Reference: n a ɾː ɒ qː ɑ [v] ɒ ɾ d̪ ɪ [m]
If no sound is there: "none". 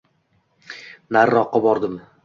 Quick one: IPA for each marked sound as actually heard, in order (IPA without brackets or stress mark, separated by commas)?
b, m